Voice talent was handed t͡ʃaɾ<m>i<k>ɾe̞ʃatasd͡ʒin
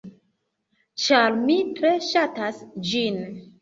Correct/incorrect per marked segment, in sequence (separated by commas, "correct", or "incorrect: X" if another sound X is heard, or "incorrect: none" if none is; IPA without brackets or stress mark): correct, incorrect: t